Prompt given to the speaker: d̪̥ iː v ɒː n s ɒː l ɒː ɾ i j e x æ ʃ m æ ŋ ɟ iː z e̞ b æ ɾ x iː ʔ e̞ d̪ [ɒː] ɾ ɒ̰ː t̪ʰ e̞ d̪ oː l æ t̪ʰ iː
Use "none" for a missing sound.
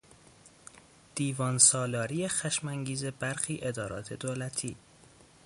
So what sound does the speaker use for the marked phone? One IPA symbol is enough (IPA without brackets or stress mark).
ɒː